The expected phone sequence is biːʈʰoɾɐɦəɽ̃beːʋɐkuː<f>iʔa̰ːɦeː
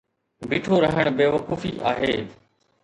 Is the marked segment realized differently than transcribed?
no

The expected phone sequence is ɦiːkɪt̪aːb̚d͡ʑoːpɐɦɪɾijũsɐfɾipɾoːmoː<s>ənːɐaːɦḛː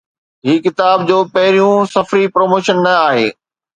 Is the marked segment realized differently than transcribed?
yes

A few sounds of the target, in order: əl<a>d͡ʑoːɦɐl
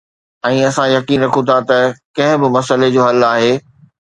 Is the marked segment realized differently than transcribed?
yes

